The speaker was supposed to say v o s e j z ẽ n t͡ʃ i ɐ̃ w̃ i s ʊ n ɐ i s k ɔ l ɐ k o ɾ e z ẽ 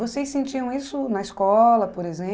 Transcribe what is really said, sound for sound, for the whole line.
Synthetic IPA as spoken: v o s e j s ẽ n t͡ʃ i ɐ̃ w̃ i s ʊ n ɐ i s k ɔ l ɐ p o ɾ e z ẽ

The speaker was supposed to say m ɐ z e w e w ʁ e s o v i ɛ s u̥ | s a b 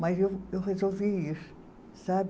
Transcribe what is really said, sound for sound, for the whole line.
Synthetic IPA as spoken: m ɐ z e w e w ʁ e z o v i i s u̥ | s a b

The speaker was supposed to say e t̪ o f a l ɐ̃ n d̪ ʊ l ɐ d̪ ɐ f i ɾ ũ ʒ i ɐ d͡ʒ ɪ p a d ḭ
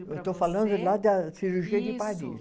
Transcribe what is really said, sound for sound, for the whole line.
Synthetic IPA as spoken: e t̪ o f a l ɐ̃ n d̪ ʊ l a d̪ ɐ s i ɾ u ʒ i ɐ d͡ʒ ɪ p a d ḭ

